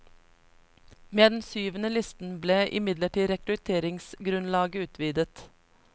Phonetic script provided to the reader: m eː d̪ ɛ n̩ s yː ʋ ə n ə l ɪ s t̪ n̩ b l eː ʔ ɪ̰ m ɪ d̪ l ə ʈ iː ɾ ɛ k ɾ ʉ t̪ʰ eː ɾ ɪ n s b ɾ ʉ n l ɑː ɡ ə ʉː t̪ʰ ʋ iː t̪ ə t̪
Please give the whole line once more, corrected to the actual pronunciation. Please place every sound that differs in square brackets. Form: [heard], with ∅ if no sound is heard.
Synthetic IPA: m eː d̪ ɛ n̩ s yː ʋ ə n ə l ɪ s t̪ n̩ b l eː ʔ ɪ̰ m ɪ d̪ l ə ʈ iː ɾ ɛ k ɾ ʉ t̪ʰ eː ɾ ɪ [ŋ] s [ɡ] ɾ ʉ n l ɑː ɡ ə ʉː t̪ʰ ʋ iː [d̪] ə t̪